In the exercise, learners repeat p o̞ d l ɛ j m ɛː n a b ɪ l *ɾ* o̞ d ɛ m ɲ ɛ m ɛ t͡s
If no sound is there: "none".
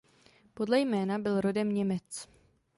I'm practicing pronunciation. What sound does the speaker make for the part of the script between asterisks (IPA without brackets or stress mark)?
ɾ